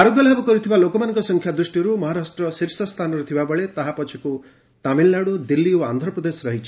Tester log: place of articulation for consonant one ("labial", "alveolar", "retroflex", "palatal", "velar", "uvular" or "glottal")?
alveolar